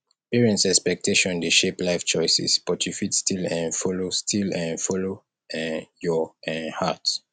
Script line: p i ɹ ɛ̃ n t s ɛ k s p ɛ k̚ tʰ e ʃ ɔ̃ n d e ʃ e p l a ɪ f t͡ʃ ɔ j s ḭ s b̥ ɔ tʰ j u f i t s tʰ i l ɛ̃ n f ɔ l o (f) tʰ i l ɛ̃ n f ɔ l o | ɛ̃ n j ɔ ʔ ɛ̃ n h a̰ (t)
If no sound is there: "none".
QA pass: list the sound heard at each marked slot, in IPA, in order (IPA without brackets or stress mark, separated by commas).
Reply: s, t